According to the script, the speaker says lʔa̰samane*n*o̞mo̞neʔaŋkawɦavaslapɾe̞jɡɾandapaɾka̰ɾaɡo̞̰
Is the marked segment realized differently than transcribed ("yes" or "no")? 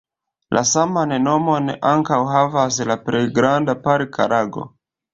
no